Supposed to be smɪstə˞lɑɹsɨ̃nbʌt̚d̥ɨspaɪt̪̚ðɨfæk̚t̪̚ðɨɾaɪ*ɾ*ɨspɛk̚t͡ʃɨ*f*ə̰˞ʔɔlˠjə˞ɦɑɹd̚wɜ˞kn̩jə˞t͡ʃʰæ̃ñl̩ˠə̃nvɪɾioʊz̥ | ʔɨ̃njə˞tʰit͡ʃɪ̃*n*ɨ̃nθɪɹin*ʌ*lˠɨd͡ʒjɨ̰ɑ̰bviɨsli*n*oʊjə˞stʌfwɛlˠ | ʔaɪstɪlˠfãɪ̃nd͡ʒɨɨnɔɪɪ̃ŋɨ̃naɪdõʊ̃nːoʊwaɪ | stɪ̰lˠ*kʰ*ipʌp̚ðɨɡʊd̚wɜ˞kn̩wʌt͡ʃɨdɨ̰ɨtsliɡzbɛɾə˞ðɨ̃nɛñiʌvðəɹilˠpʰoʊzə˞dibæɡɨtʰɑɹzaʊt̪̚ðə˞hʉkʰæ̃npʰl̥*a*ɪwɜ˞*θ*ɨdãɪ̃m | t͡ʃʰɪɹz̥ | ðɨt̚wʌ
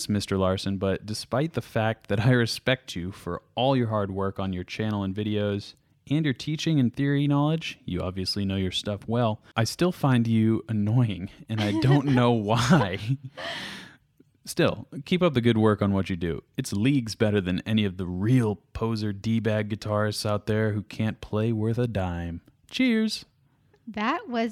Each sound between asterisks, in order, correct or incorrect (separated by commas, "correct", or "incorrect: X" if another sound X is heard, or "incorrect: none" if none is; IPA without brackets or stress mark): incorrect: ɹ, correct, incorrect: ŋ, incorrect: ɑ, correct, correct, incorrect: e, correct